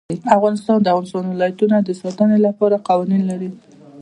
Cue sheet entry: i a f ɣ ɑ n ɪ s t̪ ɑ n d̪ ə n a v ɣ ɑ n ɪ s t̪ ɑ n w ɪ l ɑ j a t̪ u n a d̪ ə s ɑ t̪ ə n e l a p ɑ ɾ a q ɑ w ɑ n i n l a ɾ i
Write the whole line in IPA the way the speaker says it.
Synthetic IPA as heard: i a f ɣ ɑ n ɪ s t̪ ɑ n d̪ ə a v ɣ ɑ n ɪ s t̪ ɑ n w ɪ l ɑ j a t̪ u n a d̪ ə s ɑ t̪ ə n e l a p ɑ ɾ a q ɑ w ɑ n i n l a ɾ i